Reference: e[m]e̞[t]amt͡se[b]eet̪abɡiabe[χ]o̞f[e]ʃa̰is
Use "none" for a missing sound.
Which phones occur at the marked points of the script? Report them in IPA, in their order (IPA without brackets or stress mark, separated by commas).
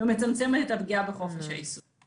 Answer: m, t͡s, m, χ, e